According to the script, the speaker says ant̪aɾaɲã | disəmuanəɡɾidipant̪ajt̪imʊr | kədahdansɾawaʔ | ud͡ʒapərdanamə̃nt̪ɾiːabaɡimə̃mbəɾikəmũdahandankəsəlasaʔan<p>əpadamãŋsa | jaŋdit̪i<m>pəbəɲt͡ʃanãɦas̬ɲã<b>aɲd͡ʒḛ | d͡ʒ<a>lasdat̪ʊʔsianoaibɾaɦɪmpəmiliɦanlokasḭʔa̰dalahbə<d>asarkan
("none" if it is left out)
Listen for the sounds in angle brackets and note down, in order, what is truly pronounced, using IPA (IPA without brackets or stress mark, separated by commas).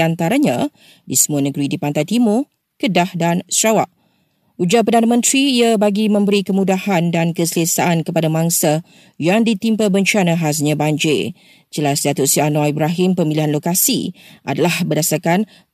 k, m, b, ə, d